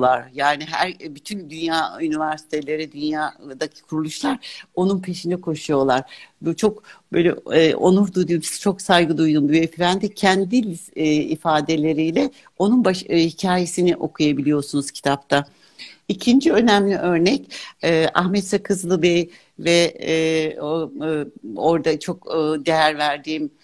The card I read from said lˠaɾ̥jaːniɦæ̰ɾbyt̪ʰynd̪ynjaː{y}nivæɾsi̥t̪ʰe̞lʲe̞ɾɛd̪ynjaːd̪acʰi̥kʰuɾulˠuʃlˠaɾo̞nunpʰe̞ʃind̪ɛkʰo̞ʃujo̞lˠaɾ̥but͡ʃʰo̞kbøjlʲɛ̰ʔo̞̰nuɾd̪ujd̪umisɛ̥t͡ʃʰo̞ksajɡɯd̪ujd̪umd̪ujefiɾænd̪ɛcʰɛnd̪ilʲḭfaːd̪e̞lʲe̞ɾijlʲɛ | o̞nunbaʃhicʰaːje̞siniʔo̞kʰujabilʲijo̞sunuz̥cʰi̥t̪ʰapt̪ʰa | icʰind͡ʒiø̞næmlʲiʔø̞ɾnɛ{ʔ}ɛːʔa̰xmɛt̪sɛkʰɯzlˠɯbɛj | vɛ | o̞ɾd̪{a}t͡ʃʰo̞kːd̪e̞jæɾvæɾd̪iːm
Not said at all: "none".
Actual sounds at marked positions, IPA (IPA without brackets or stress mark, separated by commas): y, c, a